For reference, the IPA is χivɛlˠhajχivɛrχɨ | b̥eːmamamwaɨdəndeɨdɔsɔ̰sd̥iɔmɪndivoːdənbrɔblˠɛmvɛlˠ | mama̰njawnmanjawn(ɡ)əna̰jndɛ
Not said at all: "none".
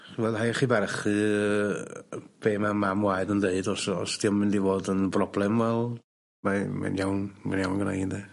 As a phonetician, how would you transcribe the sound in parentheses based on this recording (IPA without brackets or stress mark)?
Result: ɡ